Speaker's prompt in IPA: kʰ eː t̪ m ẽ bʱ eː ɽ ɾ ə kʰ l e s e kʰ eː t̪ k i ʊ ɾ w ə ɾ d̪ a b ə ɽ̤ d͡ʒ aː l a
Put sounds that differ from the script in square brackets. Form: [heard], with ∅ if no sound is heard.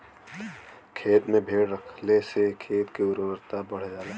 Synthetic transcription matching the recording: kʰ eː t̪ m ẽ bʱ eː ɽ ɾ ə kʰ l e s e kʰ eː t̪ k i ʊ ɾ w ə ɾ [t̪] a b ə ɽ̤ d͡ʒ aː l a